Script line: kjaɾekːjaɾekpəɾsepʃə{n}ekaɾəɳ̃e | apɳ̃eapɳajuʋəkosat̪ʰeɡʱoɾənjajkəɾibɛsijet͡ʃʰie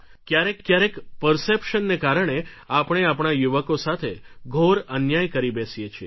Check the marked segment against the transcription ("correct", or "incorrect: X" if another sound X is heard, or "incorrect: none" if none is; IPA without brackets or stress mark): incorrect: nː